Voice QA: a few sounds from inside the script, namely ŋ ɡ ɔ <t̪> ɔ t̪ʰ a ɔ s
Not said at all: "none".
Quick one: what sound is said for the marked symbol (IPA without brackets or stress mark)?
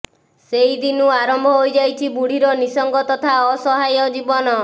t̪